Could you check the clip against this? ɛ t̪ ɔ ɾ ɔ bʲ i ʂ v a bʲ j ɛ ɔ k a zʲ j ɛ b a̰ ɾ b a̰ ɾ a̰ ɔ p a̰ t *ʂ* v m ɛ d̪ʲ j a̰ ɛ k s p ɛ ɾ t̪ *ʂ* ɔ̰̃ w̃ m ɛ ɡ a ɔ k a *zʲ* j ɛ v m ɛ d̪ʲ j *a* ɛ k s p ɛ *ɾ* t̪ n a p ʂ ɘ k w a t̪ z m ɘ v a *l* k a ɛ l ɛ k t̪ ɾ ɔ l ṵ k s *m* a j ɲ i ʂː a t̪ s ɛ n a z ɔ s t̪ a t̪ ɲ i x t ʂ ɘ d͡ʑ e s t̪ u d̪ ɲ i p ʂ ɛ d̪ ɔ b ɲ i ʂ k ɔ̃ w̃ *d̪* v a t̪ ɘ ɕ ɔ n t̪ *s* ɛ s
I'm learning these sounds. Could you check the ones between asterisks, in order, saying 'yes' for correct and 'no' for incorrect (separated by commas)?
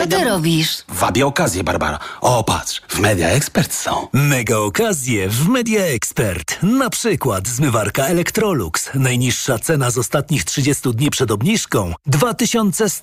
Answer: yes, no, yes, yes, yes, no, no, yes, yes